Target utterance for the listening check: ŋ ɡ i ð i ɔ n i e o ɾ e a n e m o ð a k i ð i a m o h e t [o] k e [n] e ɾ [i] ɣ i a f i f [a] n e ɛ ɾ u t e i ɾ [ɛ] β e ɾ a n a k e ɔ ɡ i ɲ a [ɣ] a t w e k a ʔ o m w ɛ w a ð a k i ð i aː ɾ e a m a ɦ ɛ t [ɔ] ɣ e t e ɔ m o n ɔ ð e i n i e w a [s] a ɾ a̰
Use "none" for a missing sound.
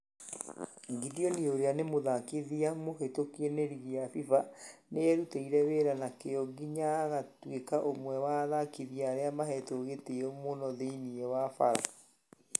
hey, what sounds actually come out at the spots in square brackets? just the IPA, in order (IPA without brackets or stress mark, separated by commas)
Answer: o, n, i, a, ɛ, ɣ, o, f